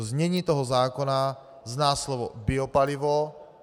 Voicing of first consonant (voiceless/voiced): voiced